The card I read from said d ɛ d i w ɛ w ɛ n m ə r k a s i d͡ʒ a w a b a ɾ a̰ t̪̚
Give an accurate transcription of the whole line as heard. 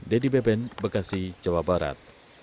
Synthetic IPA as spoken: d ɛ d i b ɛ b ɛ n b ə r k a s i d͡ʒ a w a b a ɾ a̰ t̪̚